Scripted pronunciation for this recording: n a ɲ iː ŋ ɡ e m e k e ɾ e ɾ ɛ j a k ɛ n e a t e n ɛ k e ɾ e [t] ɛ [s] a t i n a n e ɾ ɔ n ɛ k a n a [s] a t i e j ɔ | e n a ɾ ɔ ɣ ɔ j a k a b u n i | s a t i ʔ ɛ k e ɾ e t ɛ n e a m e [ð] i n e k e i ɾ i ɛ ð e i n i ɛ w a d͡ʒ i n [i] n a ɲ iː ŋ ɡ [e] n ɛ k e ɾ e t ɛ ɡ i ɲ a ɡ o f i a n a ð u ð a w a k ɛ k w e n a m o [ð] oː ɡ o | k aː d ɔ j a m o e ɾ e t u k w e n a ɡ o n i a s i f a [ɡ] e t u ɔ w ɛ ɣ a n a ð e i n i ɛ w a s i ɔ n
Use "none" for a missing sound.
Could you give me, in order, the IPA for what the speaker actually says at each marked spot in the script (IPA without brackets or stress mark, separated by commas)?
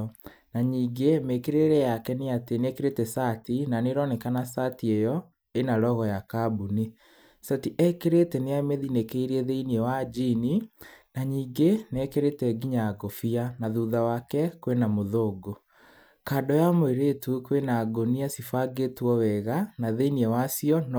t, s, s, ð, i, e, ð, ɡ